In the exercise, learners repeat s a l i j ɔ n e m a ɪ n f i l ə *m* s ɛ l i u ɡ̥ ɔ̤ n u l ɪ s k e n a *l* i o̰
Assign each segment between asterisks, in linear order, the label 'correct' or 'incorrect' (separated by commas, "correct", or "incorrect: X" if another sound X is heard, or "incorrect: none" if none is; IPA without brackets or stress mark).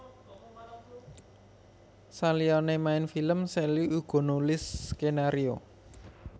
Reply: correct, incorrect: ɾ